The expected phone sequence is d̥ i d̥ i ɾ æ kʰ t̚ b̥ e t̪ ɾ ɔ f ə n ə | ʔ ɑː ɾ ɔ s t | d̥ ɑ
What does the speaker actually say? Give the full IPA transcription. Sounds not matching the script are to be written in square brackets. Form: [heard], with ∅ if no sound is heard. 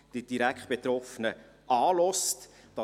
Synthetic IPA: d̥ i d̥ i ɾ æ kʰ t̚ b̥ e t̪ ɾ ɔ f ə n ə | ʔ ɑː [l] ɔ s t | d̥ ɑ